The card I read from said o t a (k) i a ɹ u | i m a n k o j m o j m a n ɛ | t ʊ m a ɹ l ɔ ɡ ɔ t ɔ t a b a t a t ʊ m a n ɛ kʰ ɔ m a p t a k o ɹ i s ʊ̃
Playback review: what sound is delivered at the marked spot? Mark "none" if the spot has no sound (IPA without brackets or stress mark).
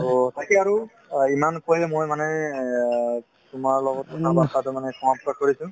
k